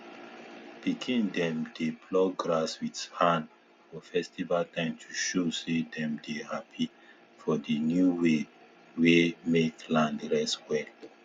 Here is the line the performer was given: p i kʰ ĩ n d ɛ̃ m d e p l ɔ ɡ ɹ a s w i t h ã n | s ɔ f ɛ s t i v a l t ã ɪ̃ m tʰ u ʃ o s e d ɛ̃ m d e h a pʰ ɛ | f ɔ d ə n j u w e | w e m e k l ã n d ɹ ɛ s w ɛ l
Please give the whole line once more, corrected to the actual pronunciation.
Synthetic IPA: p i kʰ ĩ n d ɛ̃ m d e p l ɔ ɡ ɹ a s w i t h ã n | f ɔ f ɛ s t i v a l t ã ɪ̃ m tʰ u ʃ o s e d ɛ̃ m d e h a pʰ i | f ɔ d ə n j u w e | w e m e k l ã n d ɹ ɛ s w ɛ l